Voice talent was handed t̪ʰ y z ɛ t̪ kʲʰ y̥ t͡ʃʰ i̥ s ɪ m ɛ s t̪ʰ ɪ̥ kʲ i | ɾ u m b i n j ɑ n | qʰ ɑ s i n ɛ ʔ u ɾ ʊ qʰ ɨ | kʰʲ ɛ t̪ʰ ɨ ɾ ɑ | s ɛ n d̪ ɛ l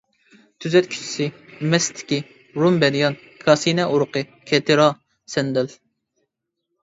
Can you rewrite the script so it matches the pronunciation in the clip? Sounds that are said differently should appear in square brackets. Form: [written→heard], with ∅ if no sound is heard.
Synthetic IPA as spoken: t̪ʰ y z ɛ t̪ kʲʰ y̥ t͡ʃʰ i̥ s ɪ m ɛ s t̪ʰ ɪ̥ kʲ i | ɾ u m b [i→ɛ] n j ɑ n | [qʰ→kʰ] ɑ s i n ɛ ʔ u ɾ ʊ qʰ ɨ | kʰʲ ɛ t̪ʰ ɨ ɾ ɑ | s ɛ n d̪ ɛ l